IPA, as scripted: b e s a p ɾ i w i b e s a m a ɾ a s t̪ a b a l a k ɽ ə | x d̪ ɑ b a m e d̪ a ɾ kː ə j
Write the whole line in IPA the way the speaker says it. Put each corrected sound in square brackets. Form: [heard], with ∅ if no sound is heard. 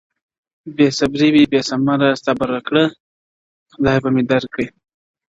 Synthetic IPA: b e s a [b] ɾ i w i b e s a m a ɾ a s t̪ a b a [ɾ] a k ɽ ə | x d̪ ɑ b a m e d̪ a ɾ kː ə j

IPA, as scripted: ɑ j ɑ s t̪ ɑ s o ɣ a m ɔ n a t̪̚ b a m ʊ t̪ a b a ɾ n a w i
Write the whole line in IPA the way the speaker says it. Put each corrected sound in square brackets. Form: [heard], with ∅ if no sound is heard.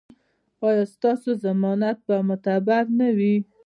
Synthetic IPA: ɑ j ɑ s t̪ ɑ s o [z] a m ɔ n a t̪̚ b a m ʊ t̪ a b a ɾ n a w i

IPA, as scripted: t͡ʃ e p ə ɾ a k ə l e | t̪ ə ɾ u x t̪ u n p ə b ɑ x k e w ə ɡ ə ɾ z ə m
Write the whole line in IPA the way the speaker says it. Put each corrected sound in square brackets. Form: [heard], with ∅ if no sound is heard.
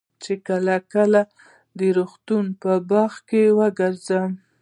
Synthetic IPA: t͡ʃ e [k] ə [l] a k ə l [a] | [d̪] ə ɾ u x t̪ u n p ə b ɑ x k e w ə ɡ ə ɾ z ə m

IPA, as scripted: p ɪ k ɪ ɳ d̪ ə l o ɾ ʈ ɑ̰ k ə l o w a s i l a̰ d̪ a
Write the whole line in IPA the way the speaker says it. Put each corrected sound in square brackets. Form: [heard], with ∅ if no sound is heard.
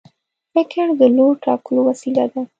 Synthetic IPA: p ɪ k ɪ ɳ d̪ ə l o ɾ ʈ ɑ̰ k ə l o w a s i l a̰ d̪ a

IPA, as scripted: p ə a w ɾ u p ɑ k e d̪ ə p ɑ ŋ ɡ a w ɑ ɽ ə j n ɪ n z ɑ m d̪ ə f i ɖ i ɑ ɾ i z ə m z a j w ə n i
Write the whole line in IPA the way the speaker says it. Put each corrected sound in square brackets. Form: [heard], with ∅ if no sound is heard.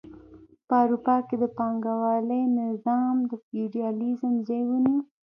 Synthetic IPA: p ə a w ɾ u p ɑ k e d̪ ə p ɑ ŋ ɡ a w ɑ [l] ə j n ɪ [∅] z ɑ m d̪ ə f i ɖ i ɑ [l] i z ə m z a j w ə n i

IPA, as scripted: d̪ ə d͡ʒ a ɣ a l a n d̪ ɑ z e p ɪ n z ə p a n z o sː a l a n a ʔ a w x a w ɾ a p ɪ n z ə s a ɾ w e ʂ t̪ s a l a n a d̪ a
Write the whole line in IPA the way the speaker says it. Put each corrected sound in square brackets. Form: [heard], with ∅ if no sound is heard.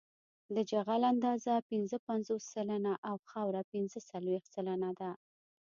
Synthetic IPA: d̪ ə d͡ʒ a ɣ a l a n d̪ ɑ z [a] p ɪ n z ə p a n z o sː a l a n a ʔ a w x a w ɾ a p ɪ n z ə s a [l] w e [x] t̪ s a l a n a d̪ a

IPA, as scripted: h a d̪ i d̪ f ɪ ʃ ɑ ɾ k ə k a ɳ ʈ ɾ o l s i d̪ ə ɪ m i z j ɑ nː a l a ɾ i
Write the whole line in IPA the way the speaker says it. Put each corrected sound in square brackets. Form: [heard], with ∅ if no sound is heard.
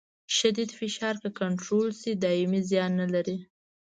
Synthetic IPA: [ʃ] a d̪ i d̪ f ɪ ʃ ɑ ɾ k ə k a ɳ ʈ ɾ o l s i d̪ [ɑ] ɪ m i z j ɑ nː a l a ɾ i

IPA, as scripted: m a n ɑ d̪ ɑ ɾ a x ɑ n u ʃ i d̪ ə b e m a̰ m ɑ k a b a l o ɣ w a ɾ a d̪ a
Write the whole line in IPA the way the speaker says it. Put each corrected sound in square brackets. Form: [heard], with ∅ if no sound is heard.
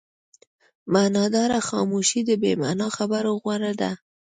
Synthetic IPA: m a n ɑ d̪ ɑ ɾ a x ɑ [m] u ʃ i d̪ ə b e m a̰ [n] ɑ [x] a b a [ɾ] o ɣ w a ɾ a d̪ a

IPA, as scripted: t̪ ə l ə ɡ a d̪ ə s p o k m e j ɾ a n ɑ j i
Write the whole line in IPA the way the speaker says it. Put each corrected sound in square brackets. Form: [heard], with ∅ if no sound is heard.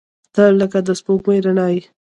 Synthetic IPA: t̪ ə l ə [k] a d̪ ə s p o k m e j ɾ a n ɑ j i

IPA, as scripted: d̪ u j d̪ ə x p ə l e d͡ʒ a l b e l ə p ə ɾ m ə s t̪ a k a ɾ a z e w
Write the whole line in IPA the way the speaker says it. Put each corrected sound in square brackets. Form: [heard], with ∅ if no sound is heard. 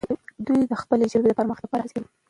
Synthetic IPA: d̪ u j d̪ ə x p ə l e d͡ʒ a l b e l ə p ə ɾ m ə [x] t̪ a [p] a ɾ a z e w

